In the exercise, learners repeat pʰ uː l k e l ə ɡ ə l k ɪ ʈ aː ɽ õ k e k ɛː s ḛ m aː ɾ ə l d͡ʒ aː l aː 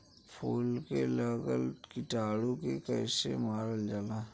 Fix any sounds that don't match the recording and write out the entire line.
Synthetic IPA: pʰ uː l k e l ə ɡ ə l k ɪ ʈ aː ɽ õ k e k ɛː s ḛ m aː ɾ ə l d͡ʒ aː l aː

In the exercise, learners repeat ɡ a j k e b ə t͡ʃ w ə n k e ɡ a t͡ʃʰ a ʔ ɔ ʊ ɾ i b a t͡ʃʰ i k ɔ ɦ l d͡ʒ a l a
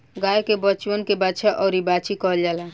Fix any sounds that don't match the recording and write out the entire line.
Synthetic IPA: ɡ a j k e b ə t͡ʃ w ə n k e b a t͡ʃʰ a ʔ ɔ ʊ ɾ i b a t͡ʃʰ i k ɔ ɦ l d͡ʒ a l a

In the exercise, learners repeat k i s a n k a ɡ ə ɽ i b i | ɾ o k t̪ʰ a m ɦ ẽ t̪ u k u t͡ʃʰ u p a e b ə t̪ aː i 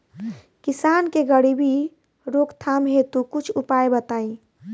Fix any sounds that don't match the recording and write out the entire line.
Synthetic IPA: k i s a n k e ɡ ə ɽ i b i | ɾ o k t̪ʰ a m ɦ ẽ t̪ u k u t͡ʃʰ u p a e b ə t̪ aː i

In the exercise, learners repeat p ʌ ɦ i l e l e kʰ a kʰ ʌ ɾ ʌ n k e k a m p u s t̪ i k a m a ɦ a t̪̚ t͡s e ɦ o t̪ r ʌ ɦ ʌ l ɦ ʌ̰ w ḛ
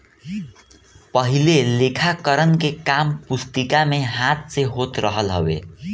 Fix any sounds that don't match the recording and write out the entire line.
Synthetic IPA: p ʌ ɦ i l e l e kʰ a k ʌ ɾ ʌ n k e k a m p u s t̪ i k a m e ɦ a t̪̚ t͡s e ɦ o t̪ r ʌ ɦ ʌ l ɦ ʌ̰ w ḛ

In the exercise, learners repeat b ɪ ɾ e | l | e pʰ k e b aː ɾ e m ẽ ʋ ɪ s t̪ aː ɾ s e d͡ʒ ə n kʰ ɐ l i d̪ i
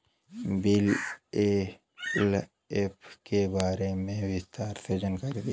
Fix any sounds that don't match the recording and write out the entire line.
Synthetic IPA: b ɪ l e | l | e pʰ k e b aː ɾ e m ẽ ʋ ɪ s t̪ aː ɾ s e d͡ʒ ə n k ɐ ɾ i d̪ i

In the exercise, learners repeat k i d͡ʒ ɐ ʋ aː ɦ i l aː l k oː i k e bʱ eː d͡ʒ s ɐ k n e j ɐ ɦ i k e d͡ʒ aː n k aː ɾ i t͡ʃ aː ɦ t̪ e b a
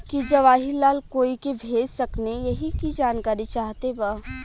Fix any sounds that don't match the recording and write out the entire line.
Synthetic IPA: k i d͡ʒ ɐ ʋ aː ɦ i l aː l k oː i k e bʱ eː d͡ʒ s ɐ k n e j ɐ ɦ i k i d͡ʒ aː n k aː ɾ i t͡ʃ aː ɦ t̪ e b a

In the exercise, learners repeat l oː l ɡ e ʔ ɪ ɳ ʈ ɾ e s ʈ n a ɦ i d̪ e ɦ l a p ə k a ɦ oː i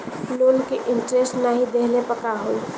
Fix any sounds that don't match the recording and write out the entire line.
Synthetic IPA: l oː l k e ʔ ɪ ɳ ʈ ɾ e s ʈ n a ɦ i d̪ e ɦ l e p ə k a ɦ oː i

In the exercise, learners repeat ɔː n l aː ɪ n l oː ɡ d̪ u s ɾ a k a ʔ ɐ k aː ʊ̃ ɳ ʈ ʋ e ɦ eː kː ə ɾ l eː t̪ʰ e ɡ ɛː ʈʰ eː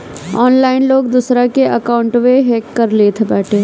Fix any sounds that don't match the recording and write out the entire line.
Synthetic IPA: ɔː n l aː ɪ n l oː ɡ d̪ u s ɾ a k e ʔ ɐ k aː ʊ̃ ɳ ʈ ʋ e ɦ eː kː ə ɾ l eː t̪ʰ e b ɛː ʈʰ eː

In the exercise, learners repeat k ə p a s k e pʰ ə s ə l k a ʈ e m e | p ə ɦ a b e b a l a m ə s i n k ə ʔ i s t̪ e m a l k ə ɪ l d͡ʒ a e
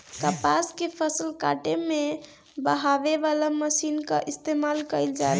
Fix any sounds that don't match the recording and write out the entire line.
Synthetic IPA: k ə p a s k e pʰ ə s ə l k a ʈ e m e | b ə ɦ a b e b a l a m ə s i n k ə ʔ i s t̪ e m a l k ə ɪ l d͡ʒ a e

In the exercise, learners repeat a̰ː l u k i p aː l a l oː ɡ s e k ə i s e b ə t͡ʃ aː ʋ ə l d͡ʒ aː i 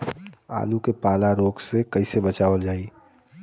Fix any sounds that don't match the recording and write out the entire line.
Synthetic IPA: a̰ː l u k e p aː l a ɾ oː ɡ s e k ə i s e b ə t͡ʃ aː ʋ ə l d͡ʒ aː i

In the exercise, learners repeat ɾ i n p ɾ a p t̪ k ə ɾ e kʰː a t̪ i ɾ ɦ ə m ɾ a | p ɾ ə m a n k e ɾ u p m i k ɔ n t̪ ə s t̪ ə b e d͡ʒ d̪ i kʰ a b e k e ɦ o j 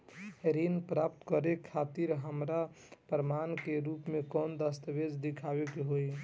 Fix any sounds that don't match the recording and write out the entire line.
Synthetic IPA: ɾ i n p ɾ a p t̪ k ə ɾ e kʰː a t̪ i ɾ ɦ ə m ɾ a | p ɾ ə m a n k e ɾ u p m e k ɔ n d̪ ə s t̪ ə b e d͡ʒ d̪ i kʰ a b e k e ɦ o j

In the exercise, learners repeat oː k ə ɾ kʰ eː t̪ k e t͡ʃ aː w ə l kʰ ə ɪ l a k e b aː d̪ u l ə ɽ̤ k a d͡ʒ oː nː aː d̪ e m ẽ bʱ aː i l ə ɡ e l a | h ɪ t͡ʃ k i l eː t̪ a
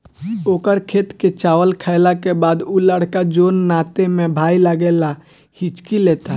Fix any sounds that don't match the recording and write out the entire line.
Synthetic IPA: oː k ə ɾ kʰ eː t̪ k e t͡ʃ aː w ə l kʰ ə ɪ l a k e b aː d̪ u l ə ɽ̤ k a d͡ʒ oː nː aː t̪ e m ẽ bʱ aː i l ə ɡ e l a | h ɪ t͡ʃ k i l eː t̪ a

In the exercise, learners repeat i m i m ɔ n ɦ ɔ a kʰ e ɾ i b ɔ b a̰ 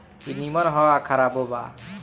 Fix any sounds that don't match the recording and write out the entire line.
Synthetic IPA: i n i m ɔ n ɦ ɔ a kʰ a ɾ a b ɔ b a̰

